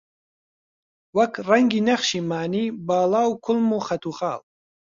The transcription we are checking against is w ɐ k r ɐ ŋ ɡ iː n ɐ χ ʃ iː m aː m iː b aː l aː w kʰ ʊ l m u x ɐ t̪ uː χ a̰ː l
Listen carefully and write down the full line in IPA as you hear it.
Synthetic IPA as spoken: w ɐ k r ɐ ŋ ɡ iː n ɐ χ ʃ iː m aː n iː b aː l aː w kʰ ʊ l m u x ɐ t̪ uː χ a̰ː l